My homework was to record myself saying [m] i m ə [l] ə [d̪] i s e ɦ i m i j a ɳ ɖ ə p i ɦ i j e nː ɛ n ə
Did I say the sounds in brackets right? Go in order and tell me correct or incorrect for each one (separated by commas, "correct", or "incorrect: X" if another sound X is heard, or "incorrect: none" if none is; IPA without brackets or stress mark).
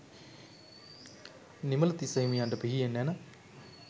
incorrect: n, correct, incorrect: t̪